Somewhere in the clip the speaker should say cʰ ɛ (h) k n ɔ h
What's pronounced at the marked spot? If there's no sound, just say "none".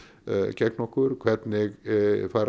none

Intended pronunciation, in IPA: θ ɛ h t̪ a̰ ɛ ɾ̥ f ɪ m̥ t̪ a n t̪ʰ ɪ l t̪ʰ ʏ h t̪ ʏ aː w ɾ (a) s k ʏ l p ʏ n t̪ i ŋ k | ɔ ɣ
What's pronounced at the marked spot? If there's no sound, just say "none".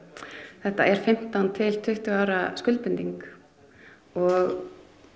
a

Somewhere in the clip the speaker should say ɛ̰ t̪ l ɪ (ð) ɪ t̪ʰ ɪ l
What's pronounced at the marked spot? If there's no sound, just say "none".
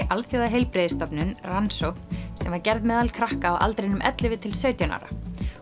v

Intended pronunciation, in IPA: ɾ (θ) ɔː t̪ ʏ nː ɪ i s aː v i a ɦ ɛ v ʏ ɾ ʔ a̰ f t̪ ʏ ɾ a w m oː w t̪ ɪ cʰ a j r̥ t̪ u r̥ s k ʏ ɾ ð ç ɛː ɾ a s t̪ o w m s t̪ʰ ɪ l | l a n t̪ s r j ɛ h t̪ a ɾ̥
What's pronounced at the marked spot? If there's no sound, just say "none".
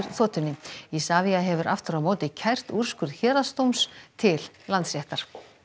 θ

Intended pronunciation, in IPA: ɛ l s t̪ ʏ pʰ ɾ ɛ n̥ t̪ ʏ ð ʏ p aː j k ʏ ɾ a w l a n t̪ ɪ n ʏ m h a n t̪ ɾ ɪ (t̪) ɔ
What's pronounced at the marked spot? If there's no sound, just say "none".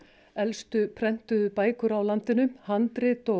t̪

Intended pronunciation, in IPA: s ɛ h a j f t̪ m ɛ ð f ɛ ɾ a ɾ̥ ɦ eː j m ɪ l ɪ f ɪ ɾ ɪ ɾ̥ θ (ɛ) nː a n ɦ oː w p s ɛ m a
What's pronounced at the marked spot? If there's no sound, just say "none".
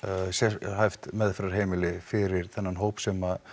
ɛ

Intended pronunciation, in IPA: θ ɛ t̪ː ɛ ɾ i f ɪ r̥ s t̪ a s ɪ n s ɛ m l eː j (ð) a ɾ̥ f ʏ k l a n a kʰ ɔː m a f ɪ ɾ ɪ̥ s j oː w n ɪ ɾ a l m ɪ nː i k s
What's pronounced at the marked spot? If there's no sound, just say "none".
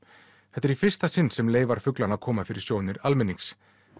v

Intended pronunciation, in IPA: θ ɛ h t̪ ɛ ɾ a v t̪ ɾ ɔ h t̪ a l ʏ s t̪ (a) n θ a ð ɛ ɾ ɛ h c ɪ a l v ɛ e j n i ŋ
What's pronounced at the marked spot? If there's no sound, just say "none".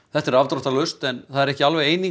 ɛ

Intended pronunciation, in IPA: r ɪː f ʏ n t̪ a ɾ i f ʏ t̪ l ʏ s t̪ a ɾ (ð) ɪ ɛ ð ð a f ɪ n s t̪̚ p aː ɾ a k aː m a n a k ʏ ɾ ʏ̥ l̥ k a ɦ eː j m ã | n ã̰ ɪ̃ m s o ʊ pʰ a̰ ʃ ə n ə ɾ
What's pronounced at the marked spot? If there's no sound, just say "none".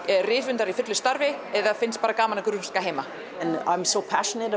v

